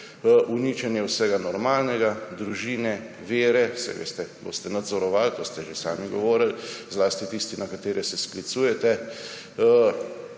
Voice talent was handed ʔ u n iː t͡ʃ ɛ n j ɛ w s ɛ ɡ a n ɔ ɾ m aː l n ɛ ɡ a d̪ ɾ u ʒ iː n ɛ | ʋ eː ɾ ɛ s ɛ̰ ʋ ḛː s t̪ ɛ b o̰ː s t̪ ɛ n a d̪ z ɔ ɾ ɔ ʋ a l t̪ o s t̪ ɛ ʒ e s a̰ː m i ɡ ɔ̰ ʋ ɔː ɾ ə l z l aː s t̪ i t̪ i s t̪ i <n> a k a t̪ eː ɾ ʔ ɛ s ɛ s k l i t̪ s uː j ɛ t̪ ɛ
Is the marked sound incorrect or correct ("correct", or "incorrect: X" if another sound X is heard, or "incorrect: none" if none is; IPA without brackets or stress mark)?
correct